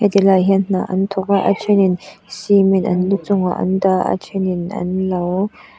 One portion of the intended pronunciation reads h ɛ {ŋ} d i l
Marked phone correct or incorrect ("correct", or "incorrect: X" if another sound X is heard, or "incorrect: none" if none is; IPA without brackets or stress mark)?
incorrect: none